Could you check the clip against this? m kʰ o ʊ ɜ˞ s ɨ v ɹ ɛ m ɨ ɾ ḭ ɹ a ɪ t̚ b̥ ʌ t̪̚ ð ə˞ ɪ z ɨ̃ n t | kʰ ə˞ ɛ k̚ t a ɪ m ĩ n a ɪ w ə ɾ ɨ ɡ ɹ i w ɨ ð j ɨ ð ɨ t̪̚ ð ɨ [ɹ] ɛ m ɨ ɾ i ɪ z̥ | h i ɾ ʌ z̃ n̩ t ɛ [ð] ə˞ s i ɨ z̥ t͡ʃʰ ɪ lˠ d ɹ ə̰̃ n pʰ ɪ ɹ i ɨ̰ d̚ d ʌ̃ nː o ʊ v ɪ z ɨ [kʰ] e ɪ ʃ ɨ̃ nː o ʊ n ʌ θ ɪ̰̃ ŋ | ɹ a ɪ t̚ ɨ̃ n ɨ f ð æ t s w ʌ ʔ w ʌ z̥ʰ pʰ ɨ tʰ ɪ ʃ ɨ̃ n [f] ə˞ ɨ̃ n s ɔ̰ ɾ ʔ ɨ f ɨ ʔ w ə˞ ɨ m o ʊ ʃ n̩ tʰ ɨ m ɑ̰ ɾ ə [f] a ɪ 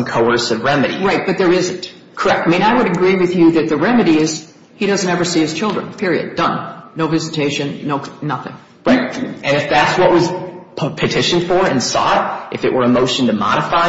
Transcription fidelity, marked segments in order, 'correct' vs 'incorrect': correct, incorrect: v, incorrect: tʰ, correct, correct

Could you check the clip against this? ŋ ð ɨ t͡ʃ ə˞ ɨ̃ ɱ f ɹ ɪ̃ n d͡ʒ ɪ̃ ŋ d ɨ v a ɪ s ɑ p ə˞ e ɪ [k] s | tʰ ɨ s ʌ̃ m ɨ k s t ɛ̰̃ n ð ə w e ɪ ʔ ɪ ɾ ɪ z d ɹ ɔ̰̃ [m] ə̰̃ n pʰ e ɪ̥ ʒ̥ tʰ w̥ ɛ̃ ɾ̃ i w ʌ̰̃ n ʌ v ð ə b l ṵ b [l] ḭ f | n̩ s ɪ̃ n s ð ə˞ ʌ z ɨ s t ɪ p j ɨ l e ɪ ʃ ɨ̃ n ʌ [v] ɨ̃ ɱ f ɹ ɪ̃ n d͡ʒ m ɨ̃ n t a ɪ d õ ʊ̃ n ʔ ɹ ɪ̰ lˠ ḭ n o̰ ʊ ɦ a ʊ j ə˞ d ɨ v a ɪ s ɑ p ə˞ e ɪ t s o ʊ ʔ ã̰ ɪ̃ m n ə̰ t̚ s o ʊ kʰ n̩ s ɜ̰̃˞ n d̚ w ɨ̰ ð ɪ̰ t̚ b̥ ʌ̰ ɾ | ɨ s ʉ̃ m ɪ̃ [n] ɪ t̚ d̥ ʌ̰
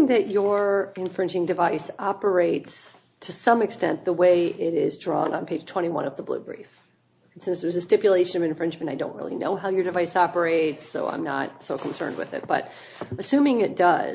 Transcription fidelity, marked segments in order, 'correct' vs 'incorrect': incorrect: t, incorrect: n, incorrect: ɹ, correct, incorrect: ŋ

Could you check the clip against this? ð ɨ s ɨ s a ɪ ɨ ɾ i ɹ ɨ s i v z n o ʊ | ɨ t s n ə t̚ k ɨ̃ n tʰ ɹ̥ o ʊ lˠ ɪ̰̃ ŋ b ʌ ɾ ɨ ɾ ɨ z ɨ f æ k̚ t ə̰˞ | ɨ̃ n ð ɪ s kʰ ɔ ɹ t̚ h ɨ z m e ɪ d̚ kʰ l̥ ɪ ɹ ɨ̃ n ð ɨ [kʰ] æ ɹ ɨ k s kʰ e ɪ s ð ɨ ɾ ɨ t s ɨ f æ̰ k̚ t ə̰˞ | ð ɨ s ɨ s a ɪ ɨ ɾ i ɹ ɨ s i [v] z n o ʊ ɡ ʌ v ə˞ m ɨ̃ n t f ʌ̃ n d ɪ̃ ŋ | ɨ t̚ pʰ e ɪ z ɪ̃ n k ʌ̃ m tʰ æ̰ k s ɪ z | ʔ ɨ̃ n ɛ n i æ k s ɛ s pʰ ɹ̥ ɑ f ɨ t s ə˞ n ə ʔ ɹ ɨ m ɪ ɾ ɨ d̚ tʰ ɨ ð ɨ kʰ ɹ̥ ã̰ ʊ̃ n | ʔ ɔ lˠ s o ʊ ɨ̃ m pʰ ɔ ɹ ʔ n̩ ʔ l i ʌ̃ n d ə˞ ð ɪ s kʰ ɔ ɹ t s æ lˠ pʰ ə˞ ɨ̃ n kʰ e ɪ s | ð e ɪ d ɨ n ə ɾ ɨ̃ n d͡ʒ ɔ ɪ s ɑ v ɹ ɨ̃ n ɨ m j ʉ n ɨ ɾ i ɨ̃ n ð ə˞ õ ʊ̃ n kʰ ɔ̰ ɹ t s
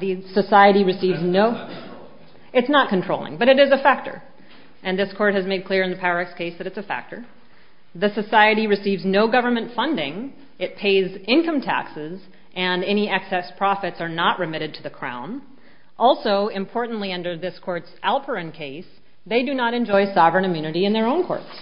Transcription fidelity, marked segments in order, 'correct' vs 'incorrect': incorrect: pʰ, correct

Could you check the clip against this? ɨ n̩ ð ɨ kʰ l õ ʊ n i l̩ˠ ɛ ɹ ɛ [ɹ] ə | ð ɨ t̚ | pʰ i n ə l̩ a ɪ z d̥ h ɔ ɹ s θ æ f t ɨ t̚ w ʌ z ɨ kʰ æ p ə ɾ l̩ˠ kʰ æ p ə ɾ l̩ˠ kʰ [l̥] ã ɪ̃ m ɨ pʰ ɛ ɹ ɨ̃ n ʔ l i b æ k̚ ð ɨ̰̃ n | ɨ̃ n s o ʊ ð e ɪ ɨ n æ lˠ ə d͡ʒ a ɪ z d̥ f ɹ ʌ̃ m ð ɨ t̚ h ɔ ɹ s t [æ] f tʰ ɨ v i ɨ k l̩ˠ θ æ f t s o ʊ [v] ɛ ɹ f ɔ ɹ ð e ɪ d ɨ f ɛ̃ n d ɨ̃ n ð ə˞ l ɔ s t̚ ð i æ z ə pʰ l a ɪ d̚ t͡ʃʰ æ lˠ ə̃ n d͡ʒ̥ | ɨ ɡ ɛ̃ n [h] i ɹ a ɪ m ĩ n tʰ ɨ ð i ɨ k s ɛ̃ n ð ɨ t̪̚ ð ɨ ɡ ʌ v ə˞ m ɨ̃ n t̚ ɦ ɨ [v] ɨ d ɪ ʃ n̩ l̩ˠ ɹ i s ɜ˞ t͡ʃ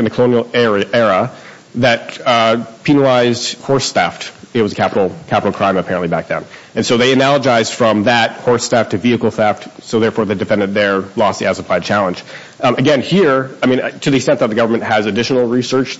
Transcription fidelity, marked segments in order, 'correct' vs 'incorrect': correct, incorrect: ɹ̥, correct, incorrect: ð, correct, incorrect: z

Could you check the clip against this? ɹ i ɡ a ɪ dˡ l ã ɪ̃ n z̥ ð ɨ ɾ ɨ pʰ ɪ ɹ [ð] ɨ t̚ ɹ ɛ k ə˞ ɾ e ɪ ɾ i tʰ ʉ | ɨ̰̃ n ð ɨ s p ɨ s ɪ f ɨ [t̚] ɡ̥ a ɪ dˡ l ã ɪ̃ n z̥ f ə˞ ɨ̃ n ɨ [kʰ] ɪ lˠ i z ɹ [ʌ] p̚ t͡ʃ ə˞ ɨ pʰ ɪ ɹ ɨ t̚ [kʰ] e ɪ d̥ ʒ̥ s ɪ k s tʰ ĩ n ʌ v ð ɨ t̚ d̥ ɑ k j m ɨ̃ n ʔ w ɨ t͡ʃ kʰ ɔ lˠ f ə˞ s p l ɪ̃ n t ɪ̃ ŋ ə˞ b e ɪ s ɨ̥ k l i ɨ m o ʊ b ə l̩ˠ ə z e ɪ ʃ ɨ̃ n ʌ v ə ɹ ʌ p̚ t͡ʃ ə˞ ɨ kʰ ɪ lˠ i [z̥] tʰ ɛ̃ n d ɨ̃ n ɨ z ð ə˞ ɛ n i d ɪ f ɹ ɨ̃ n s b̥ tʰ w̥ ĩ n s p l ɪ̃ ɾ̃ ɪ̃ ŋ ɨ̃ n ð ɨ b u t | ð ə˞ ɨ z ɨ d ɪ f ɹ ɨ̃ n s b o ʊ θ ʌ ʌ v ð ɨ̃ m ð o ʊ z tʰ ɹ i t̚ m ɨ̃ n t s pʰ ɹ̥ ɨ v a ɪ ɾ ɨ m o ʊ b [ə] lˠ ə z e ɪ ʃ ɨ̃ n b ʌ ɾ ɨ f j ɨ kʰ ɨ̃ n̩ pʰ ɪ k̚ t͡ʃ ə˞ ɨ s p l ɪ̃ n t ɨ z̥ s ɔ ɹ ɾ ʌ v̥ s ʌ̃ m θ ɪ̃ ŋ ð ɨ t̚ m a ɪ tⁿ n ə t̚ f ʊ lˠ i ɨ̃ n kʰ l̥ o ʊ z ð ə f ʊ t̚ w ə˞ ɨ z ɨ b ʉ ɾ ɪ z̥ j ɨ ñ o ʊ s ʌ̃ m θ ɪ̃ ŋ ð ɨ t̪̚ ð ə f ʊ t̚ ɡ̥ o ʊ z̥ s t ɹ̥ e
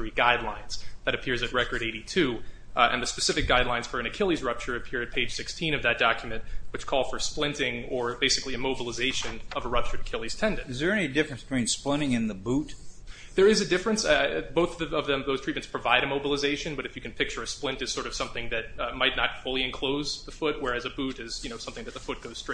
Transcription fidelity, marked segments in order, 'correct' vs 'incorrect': incorrect: z, incorrect: k̚, correct, correct, incorrect: pʰ, correct, correct

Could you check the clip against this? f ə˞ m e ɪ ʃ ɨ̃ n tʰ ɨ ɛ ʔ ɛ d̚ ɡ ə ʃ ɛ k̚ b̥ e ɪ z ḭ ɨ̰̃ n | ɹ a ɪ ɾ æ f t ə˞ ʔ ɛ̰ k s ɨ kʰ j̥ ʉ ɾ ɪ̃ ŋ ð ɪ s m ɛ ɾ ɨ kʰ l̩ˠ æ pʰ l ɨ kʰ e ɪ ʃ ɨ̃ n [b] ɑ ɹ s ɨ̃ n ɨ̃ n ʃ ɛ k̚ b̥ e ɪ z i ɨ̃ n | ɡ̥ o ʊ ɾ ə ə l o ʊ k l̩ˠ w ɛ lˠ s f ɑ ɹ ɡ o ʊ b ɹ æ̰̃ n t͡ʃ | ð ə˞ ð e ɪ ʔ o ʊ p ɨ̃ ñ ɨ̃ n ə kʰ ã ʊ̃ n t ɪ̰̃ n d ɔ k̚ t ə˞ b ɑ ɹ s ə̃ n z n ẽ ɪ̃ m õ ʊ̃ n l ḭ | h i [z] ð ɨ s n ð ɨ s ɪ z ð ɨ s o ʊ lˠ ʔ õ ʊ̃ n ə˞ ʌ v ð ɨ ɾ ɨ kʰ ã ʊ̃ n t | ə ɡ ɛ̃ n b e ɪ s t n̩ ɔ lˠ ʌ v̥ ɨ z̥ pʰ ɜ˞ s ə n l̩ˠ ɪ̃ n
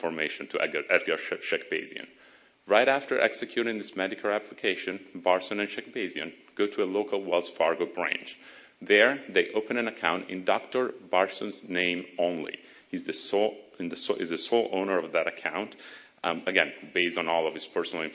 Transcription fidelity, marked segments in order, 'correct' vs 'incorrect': correct, correct

